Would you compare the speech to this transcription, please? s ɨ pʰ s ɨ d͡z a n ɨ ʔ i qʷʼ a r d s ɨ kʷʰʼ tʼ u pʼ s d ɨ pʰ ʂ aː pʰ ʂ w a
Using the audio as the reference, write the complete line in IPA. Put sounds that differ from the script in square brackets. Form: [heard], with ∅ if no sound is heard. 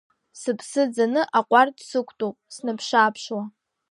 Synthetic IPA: s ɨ pʰ s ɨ d͡z a n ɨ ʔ [a] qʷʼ a r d s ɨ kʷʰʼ tʼ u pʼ s [n] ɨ pʰ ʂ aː pʰ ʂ w a